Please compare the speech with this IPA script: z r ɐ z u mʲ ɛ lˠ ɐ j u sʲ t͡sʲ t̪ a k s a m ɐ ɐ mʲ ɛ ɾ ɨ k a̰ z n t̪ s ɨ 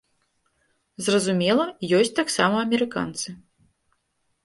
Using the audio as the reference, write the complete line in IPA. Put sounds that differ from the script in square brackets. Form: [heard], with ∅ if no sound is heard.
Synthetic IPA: z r ɐ z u mʲ ɛ lˠ ɐ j [ɔ] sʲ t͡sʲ t̪ a k s a m ɐ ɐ mʲ ɛ ɾ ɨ k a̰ [∅] n t̪ s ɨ